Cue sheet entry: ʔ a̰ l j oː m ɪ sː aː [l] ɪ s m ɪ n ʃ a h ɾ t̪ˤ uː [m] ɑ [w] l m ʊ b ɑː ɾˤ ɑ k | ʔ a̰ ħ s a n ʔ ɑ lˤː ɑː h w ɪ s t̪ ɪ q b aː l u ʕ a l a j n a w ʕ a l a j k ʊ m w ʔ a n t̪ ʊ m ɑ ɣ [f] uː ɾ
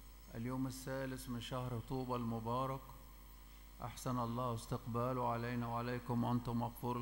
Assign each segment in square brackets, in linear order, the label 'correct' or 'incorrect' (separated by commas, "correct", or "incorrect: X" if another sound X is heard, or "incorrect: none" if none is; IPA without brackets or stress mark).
correct, incorrect: b, incorrect: none, correct